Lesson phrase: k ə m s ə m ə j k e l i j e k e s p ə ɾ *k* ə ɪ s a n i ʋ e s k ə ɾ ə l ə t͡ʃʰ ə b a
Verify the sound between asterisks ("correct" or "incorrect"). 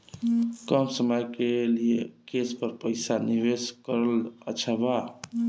incorrect